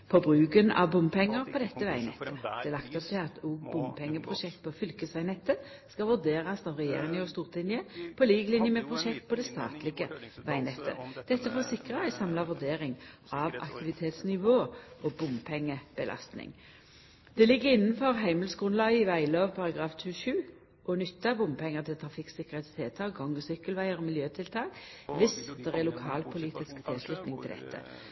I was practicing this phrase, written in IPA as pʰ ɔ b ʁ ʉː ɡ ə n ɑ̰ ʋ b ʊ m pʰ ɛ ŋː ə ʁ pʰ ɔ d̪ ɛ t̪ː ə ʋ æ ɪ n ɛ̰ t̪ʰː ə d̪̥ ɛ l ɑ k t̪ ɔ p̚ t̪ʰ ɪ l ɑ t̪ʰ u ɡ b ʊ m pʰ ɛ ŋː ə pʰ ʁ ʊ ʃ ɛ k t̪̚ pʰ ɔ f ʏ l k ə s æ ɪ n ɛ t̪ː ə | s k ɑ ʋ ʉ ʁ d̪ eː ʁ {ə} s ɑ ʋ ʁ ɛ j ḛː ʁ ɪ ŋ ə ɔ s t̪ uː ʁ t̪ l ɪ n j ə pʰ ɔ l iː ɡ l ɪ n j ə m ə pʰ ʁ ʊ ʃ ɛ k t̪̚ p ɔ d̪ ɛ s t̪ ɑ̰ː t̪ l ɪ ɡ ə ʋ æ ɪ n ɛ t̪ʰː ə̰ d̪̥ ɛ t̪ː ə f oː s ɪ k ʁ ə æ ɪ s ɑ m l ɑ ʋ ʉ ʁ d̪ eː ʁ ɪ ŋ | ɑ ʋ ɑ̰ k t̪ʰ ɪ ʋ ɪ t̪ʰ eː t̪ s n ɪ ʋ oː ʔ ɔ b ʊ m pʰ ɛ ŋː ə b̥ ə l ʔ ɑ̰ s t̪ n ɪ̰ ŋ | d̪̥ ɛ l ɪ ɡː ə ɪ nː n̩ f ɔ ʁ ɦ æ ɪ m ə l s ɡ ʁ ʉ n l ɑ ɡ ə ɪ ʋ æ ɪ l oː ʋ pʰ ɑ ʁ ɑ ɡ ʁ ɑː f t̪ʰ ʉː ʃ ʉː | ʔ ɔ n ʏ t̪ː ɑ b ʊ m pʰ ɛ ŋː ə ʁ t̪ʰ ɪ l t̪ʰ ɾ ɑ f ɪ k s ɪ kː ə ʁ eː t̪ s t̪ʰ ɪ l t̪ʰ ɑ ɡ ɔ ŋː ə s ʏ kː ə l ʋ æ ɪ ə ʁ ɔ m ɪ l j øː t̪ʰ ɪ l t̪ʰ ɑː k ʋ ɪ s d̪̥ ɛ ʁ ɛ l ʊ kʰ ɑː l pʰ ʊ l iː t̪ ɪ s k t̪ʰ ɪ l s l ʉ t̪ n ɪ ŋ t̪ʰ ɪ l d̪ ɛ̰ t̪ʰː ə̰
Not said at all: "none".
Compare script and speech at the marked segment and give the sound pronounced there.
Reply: ɑ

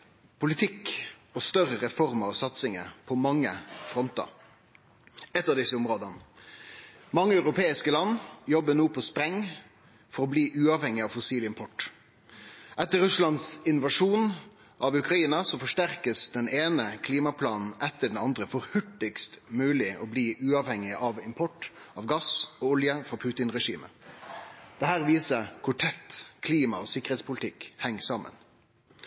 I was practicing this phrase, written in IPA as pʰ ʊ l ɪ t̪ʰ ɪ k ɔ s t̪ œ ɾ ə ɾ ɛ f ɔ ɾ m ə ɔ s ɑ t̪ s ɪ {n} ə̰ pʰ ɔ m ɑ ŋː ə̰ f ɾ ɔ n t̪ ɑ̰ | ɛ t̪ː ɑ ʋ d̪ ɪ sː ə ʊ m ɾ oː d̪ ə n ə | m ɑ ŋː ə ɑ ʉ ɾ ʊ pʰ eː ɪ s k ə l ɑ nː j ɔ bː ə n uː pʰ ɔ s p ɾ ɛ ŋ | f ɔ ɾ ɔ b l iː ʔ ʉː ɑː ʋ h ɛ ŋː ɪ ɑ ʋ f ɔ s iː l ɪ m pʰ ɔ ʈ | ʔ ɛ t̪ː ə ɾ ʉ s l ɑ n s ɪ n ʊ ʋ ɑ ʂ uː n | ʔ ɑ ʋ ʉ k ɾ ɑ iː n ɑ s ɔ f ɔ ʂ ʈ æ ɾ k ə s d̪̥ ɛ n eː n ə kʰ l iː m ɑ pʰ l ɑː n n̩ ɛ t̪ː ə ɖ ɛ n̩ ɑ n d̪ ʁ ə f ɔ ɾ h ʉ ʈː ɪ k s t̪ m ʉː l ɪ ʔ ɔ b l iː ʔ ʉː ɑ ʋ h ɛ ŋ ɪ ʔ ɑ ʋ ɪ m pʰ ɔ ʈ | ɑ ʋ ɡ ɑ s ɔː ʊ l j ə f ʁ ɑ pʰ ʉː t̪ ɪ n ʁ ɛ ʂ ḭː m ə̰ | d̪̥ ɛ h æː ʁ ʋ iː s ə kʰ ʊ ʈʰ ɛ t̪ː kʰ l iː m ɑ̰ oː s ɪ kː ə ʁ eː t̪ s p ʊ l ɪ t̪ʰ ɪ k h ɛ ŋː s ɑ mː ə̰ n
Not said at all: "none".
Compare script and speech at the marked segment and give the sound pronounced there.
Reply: ŋ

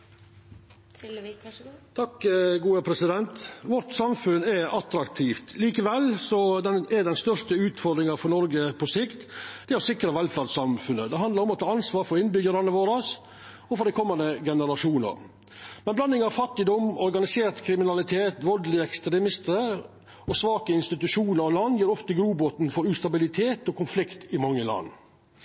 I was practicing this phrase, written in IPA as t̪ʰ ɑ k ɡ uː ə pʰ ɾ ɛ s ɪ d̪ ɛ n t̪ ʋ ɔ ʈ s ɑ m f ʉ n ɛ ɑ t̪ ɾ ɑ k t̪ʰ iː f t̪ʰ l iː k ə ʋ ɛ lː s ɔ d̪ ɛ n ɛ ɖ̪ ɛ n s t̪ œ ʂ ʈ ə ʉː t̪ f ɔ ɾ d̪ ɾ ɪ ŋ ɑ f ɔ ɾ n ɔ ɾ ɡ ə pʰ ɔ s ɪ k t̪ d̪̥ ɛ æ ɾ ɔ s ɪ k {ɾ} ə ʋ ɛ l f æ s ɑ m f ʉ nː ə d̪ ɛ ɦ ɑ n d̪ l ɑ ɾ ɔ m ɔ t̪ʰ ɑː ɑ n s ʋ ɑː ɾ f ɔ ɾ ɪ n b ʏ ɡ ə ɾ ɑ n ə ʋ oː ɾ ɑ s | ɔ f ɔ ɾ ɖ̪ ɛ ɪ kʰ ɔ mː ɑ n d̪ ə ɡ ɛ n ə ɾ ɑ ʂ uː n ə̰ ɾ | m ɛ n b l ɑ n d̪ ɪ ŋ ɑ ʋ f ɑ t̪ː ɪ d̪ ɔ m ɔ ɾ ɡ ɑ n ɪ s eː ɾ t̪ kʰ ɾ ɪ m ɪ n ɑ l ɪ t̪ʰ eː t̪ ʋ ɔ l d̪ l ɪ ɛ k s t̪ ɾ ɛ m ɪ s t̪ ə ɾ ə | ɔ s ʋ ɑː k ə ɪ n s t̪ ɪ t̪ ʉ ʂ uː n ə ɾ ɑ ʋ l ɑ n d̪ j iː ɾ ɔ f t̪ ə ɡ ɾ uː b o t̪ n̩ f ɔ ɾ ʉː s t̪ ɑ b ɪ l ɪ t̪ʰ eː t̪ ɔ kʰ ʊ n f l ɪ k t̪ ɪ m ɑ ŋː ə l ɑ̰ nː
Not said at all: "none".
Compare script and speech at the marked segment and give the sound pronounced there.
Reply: ɾ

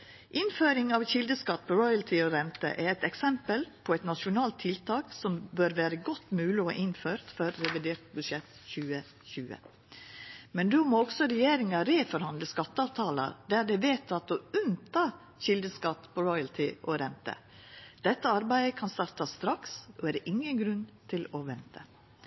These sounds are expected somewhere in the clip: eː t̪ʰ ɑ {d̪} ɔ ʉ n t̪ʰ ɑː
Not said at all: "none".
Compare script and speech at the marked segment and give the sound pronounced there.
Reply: t̪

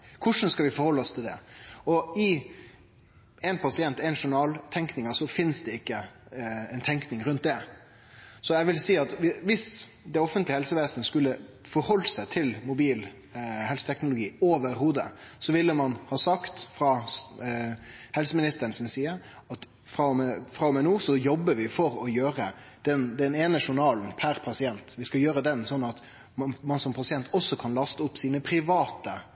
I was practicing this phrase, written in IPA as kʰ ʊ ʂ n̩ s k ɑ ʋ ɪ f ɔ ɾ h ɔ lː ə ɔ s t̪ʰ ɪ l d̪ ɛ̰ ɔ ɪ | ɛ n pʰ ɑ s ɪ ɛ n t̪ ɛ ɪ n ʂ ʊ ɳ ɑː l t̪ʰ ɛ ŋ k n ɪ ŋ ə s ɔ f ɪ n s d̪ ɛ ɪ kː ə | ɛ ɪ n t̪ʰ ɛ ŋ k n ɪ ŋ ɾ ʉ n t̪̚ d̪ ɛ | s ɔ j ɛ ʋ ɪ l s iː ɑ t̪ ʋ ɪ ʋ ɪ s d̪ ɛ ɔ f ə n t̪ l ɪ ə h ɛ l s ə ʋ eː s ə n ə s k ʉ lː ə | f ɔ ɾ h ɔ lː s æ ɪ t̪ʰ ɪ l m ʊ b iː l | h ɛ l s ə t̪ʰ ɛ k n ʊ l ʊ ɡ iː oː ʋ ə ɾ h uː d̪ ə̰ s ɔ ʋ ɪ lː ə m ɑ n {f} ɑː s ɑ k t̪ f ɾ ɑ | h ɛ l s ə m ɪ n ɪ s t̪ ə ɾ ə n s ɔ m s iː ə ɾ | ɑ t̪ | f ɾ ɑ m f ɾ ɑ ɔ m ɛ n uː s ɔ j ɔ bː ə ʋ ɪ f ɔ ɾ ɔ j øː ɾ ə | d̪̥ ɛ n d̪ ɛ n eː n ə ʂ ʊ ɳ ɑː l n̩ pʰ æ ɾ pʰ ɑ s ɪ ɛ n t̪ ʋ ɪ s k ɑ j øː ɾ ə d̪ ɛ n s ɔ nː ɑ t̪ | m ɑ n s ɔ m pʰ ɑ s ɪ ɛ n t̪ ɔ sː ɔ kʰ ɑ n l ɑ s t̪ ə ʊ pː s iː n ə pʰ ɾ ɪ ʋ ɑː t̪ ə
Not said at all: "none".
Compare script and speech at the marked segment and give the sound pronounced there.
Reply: h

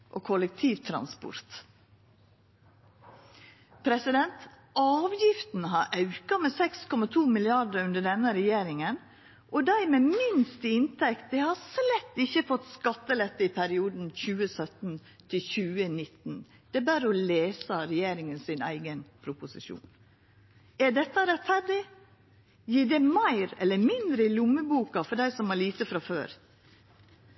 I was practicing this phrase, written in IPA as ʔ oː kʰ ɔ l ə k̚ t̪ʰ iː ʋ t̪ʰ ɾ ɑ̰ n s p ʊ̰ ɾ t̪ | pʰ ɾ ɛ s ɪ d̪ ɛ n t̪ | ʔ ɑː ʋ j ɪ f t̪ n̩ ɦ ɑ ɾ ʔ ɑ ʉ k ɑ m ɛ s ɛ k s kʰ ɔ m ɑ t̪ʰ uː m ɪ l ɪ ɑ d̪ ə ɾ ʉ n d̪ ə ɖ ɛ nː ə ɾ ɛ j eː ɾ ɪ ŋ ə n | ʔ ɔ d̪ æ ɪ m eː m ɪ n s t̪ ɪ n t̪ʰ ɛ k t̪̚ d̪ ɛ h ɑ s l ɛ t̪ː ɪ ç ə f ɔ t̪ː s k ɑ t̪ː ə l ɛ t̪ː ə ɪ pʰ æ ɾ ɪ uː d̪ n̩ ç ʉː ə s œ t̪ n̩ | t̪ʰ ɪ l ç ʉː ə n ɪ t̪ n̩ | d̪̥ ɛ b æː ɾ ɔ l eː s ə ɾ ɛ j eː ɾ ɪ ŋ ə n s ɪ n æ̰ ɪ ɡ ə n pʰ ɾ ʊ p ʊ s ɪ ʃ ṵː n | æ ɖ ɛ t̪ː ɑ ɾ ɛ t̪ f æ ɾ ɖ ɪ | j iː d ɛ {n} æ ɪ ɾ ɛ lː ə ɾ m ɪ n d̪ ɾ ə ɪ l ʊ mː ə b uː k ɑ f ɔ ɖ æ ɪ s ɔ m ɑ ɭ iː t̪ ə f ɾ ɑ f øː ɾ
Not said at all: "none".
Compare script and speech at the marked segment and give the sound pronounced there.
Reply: m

